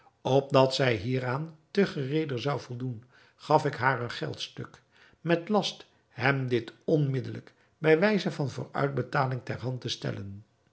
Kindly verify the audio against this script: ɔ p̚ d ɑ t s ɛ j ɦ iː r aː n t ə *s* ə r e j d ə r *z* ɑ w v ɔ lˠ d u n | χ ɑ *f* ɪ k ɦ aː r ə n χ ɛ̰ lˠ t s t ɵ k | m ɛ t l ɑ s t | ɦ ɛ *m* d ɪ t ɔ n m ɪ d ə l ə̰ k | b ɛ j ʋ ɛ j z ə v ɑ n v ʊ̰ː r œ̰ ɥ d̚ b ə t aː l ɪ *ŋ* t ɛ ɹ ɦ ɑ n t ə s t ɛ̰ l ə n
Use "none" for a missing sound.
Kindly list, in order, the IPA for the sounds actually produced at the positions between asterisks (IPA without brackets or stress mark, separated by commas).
χ, z, f, m, ŋ